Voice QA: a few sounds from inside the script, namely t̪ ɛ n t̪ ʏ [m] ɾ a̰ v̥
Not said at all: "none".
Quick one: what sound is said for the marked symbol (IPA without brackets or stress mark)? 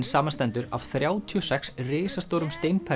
none